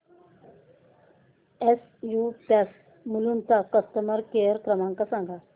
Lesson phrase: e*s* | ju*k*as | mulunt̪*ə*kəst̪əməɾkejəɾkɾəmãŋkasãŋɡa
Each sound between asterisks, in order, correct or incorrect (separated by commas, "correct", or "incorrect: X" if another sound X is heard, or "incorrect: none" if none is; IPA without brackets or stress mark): correct, incorrect: p, incorrect: a